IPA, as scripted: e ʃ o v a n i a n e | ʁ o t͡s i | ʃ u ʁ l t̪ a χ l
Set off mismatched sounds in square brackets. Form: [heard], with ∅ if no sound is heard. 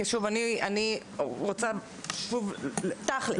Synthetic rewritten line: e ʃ [u] v a n i a n [i] | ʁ o t͡s [a] | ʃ u [v] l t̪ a χ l